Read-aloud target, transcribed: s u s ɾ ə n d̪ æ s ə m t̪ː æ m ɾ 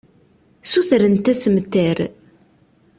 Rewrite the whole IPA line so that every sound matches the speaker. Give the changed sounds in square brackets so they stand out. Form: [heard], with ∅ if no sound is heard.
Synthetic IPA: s u [θ] ɾ ə n [t̪] æ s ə m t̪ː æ [∅] ɾ